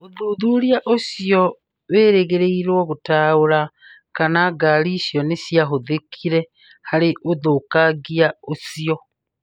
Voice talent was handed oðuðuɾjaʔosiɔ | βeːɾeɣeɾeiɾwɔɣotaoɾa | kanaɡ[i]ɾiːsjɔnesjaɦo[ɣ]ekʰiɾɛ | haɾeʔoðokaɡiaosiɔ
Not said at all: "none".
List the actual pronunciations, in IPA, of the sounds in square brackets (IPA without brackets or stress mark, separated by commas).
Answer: a, ð